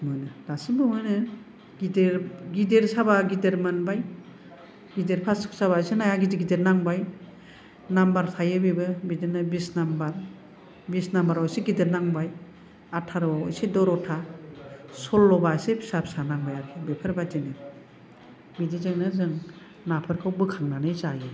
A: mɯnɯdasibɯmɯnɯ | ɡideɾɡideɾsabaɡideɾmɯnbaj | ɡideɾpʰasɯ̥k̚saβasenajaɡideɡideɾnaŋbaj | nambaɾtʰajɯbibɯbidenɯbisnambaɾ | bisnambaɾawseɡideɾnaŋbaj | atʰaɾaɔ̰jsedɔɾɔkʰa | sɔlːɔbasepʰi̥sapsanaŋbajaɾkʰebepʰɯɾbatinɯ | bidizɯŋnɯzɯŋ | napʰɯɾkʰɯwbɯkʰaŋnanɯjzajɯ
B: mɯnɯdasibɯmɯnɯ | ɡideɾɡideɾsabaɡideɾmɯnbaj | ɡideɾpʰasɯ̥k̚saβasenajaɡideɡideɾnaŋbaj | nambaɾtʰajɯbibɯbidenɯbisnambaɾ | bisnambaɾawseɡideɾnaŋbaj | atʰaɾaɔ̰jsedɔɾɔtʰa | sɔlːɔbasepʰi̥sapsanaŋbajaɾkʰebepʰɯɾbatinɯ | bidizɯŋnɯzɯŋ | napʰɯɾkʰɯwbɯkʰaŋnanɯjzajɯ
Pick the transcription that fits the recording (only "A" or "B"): B